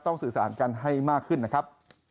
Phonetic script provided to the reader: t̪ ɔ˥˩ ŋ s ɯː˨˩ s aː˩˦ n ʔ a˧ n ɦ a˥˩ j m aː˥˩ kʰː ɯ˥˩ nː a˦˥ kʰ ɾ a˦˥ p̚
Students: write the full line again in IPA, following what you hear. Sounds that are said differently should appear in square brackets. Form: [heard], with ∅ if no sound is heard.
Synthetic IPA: t̪ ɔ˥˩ ŋ s ɯː˨˩ s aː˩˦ n [k] a˧ n ɦ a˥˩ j m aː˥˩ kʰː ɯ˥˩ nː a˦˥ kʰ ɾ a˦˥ p̚